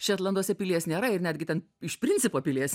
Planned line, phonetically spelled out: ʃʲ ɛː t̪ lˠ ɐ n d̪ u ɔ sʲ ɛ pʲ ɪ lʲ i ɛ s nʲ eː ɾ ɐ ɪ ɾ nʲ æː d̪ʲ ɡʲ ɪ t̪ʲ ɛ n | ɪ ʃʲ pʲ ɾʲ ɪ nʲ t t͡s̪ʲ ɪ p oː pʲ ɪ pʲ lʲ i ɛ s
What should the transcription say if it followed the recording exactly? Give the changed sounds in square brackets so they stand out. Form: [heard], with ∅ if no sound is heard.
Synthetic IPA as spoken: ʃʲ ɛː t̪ lˠ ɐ n d̪ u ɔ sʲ ɛ pʲ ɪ lʲ i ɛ s nʲ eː ɾ ɐ ɪ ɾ nʲ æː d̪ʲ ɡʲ ɪ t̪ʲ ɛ n | ɪ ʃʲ pʲ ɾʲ ɪ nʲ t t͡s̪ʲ ɪ p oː pʲ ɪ [∅] lʲ i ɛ s